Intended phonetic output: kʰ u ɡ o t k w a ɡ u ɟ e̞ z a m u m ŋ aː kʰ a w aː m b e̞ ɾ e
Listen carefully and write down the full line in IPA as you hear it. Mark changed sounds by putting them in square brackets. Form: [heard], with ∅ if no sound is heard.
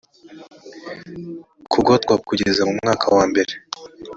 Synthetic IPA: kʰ u ɡ o t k w a [k] u ɟ e̞ z a m u m ŋ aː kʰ a w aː m b e̞ ɾ e